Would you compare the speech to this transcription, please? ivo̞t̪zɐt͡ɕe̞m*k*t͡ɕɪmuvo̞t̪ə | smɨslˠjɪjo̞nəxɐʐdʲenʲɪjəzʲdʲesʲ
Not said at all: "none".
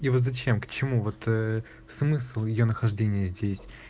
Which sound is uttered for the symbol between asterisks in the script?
k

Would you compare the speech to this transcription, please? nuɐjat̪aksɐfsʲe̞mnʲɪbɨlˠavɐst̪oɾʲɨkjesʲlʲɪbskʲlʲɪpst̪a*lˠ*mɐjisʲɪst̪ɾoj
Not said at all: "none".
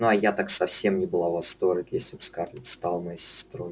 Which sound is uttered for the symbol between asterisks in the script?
lˠ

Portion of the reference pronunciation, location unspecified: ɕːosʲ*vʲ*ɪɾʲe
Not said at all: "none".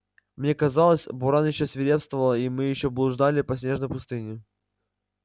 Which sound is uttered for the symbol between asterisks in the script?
vʲ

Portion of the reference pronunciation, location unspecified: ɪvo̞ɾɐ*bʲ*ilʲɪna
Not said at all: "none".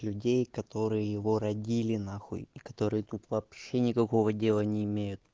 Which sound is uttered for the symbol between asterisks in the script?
dʲ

